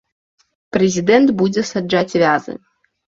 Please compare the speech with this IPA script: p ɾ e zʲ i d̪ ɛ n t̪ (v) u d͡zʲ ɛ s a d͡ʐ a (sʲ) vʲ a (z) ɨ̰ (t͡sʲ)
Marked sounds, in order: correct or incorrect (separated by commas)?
incorrect, incorrect, correct, incorrect